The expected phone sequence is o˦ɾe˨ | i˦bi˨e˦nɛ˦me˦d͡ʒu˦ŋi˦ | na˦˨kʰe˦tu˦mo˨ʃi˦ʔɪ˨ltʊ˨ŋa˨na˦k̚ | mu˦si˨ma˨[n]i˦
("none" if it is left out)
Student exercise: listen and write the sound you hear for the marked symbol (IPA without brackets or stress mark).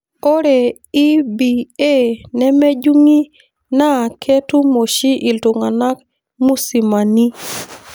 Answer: n